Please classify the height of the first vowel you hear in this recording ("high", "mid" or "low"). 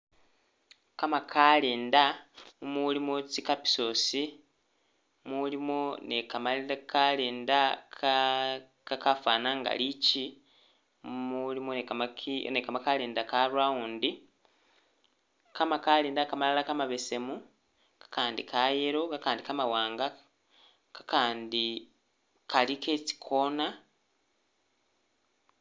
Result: low